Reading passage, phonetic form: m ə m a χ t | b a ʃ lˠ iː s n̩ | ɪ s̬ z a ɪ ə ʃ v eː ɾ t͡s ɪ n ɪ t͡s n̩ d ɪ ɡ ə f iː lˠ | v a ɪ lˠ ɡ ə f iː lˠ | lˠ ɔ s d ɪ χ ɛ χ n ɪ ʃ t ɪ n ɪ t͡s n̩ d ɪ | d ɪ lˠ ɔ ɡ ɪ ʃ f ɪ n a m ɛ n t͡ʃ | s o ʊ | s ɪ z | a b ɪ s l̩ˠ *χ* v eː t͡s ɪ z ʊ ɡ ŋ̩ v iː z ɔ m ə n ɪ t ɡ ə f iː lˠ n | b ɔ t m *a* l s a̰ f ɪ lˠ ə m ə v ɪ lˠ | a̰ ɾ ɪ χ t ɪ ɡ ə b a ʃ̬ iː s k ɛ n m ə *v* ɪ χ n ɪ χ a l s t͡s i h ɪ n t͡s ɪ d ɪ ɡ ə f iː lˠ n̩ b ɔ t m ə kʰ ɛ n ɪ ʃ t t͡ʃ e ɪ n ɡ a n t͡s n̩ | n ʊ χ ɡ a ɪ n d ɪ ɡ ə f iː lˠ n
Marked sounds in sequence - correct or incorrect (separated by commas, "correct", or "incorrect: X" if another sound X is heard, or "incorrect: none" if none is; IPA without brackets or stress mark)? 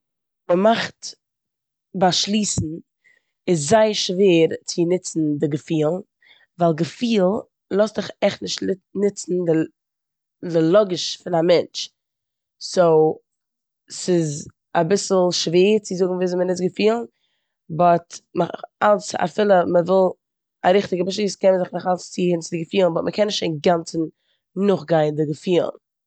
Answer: incorrect: ʃ, correct, incorrect: z